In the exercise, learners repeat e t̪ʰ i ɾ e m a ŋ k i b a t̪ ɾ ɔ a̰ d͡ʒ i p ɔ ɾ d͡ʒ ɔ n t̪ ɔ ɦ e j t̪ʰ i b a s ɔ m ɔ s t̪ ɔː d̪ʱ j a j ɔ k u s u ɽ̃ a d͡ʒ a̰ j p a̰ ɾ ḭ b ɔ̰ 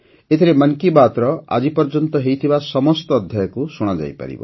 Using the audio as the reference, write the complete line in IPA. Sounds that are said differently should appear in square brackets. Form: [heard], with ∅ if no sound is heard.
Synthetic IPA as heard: e t̪ʰ i ɾ e m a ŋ k i b a t̪ ɾ ɔ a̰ d͡ʒ i p ɔ ɾ d͡ʒ ɔ n t̪ ɔ ɦ e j t̪ʰ i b a s ɔ m ɔ s t̪ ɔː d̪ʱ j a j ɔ k u s u ɽ̃ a d͡ʒ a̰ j p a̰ ɾ ḭ b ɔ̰